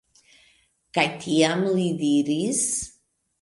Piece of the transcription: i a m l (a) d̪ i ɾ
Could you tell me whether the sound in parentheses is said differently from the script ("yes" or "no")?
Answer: yes